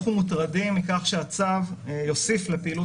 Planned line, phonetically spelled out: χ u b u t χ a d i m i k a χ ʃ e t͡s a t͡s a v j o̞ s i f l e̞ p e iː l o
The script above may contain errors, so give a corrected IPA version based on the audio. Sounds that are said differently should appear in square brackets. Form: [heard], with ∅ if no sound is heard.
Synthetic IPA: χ u [m] u t [ʁ] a d i m i k a χ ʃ e [∅] a t͡s a v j o̞ s i f l e̞ p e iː l [u]

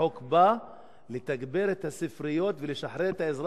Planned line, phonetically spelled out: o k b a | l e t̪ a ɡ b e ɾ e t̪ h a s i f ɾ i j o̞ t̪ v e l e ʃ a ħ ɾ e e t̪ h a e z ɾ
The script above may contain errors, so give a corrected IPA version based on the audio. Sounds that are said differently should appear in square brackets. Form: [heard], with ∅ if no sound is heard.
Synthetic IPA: o k b a | l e t̪ a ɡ b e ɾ e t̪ h a s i f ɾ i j o̞ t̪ v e l e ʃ a ħ ɾ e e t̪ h a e z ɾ

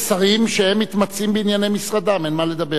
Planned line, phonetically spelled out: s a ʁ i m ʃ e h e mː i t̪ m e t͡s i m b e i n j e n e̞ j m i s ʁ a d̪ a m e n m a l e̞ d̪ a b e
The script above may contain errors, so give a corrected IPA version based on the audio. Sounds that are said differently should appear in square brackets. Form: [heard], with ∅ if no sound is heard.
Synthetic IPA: s a ʁ i m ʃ e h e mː i t̪ m [a] t͡s i m b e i n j [a] n e̞ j m i s ʁ a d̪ a m e n m a l e̞ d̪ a b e

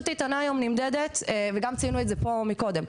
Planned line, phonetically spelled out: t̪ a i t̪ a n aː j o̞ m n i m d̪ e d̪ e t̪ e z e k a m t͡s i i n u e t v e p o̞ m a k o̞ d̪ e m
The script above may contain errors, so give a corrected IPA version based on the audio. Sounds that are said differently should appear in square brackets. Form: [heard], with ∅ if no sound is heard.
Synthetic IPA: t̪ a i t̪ a n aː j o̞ m n i m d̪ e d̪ e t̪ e [v] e [ɡ] a m t͡s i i n u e t [z] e p o̞ m [i] k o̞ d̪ e m

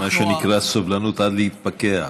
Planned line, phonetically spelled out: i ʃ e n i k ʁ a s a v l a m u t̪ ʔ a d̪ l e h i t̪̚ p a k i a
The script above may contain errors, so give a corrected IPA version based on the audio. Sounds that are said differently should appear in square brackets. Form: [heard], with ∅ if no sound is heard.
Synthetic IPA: [a] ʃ e n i k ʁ a s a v l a [n] u t̪ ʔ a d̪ l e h i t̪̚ p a k [e] a

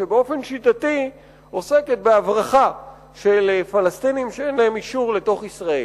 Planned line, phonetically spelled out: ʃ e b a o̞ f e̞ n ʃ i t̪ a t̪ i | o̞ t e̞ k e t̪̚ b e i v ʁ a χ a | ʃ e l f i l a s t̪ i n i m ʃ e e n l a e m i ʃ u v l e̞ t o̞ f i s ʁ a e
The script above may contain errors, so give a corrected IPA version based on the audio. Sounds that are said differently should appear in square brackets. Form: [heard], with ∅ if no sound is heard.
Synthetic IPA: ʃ e b [e] o̞ f e̞ n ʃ i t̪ a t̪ i | o̞ [s] e̞ k e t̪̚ b e [a] v ʁ a χ a | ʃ e l f [a] l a s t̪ i n i m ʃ e e n l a e m i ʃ u [ʁ] l e̞ t o̞ [χ] i s ʁ a e

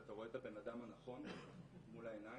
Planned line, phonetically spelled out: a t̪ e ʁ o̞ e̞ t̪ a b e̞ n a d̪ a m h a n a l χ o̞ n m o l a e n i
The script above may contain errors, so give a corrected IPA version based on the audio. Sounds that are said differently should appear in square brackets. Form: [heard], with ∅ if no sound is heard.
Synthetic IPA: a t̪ [a] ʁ o̞ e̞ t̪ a b e̞ n a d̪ a m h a n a [∅] χ o̞ n m [u] l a e n [a]

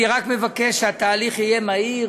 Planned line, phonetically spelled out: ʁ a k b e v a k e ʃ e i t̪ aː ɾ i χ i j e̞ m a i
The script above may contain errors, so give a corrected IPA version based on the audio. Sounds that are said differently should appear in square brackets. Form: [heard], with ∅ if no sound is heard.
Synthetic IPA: ʁ a k [m] e v a k e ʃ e [a] t̪ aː [l] i χ i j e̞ m a i

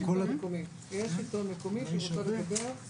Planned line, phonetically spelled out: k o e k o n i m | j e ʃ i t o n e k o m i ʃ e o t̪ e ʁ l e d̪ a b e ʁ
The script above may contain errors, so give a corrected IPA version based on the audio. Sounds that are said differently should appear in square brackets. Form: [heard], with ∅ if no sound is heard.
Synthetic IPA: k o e k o [m] i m | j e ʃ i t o [m] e k o m i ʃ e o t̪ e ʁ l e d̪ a b e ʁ

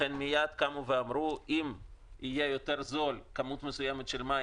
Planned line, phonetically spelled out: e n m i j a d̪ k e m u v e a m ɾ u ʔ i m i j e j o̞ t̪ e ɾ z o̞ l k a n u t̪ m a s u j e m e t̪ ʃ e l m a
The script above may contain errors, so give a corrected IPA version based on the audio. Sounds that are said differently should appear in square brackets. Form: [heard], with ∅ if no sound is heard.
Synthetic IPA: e n m i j a d̪ k [a] m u v e a m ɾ u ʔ i m i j e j o̞ t̪ e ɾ z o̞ l k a [m] u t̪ m [e] s u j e m e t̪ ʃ e l m a

